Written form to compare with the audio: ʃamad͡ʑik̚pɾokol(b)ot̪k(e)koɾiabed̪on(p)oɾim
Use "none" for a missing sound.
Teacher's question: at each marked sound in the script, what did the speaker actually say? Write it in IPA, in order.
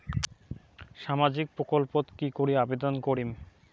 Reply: p, i, k

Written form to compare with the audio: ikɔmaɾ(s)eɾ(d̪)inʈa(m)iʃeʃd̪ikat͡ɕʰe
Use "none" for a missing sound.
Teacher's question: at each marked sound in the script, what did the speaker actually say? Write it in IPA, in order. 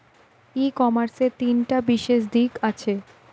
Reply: s, t̪, b

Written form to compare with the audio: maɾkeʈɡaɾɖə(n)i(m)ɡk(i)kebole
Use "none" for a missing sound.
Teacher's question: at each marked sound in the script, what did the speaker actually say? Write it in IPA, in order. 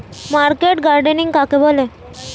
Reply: n, ŋ, a

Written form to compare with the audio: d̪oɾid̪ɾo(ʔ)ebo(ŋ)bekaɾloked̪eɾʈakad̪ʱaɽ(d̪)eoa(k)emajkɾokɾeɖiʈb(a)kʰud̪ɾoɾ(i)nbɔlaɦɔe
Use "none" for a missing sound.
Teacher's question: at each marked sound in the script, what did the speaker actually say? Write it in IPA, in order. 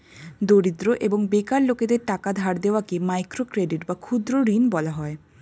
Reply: ʔ, ŋ, d̪, k, a, i

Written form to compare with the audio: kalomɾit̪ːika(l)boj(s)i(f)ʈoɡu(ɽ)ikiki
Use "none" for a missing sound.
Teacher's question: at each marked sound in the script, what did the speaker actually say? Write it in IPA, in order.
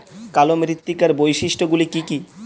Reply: ɾ, ʃ, ʃ, l

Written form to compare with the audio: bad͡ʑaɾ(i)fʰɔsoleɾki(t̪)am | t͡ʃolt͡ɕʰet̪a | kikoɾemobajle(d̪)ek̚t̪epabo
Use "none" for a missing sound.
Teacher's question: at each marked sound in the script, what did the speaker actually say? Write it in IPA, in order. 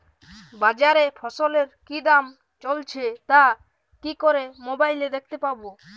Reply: e, d̪, d̪

